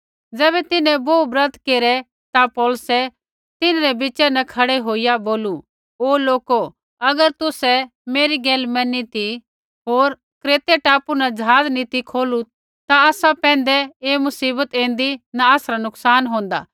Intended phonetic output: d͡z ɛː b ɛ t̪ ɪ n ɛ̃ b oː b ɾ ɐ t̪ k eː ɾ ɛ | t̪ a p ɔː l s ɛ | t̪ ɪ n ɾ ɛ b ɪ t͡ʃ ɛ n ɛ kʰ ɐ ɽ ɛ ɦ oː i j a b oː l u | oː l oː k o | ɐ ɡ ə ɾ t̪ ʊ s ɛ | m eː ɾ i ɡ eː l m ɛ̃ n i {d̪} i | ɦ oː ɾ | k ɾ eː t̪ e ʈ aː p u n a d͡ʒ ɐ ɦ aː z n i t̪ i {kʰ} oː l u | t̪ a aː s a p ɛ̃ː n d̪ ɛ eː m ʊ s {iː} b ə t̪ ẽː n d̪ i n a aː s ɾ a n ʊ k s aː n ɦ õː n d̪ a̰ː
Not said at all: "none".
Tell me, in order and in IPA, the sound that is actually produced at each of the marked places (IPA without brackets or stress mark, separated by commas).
t̪, kʰ, iː